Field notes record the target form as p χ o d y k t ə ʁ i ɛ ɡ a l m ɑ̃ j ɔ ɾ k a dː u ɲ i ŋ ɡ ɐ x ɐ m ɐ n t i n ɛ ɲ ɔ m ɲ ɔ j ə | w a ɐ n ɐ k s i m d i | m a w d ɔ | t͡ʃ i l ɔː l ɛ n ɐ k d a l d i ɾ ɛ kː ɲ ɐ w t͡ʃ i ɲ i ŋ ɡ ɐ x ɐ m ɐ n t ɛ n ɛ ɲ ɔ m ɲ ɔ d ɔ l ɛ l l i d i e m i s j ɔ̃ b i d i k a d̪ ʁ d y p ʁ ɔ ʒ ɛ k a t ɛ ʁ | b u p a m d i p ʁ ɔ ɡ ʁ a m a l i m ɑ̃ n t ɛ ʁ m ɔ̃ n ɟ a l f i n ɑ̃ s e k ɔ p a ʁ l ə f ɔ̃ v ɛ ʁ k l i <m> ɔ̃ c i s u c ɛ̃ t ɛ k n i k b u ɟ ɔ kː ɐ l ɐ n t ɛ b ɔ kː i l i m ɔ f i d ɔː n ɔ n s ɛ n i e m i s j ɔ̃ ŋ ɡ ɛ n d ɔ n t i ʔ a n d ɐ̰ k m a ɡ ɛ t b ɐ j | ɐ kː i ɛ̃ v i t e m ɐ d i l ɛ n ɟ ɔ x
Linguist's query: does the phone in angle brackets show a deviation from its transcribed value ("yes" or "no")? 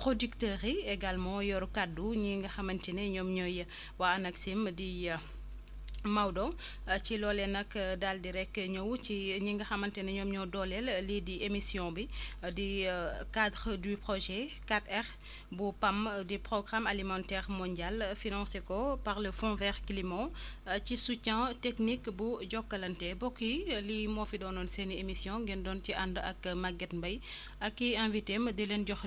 no